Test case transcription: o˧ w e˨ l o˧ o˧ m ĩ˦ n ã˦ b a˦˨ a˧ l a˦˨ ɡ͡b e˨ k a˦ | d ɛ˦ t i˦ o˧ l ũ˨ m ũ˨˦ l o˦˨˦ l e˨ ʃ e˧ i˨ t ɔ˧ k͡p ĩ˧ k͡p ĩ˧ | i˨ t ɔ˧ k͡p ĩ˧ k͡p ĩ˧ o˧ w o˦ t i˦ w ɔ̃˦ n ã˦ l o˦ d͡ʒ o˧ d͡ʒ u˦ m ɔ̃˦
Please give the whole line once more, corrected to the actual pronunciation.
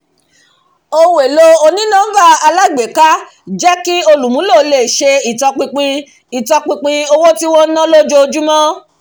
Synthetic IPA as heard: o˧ w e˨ l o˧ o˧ n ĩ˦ n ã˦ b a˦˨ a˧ l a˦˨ ɡ͡b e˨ k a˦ | d͡ʒ ɛ˦ k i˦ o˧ l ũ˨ m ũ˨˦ l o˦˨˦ l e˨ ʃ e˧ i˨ t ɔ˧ k͡p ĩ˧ k͡p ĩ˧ | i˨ t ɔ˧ k͡p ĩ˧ k͡p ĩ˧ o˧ w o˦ t i˦ w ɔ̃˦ n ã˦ l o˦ d͡ʒ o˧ d͡ʒ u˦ m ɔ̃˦